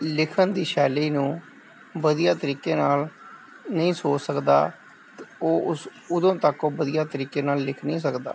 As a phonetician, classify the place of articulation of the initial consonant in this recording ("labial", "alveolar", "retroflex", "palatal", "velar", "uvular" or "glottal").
alveolar